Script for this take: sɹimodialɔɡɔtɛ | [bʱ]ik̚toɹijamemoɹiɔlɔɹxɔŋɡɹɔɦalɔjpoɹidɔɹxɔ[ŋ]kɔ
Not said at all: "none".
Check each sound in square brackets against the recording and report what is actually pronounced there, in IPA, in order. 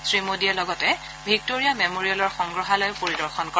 bʱ, n

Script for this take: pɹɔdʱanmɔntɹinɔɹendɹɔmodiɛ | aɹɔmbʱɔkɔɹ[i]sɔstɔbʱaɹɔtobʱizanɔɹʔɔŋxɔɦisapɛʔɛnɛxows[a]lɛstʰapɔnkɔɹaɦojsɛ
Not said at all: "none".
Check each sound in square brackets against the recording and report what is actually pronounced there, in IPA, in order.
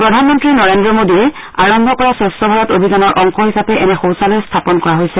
a, a

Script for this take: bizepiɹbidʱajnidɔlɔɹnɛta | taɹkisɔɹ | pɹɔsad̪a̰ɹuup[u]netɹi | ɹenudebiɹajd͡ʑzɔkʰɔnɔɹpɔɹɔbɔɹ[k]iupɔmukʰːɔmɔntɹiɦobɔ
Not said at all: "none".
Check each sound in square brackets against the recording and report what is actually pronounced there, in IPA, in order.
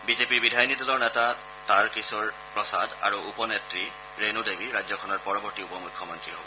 ɔ, t

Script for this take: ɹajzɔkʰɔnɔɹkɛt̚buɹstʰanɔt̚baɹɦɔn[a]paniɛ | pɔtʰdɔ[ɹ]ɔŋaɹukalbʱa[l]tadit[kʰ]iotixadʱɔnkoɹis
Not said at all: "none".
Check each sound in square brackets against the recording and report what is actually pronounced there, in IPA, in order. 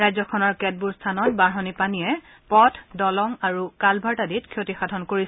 i, l, ɹ, kʰ

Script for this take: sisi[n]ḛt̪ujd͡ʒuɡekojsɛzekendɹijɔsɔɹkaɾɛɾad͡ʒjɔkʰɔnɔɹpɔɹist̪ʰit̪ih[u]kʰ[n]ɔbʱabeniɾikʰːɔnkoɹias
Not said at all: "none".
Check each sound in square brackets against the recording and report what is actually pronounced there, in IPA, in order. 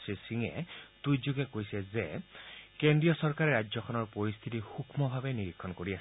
ŋ, u, m

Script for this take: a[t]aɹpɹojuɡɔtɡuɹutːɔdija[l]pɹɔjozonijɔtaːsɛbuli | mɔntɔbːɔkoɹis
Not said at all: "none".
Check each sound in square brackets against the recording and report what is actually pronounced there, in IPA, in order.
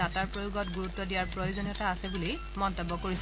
t, ɹ

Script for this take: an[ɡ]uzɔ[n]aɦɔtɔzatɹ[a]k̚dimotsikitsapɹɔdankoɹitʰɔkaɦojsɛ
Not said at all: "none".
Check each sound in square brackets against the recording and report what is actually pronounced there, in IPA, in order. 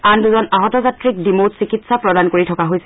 d, n, i

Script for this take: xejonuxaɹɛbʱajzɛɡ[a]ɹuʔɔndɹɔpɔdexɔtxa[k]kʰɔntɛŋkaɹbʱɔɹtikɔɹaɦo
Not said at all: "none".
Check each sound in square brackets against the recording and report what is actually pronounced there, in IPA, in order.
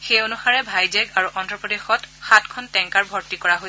a, t

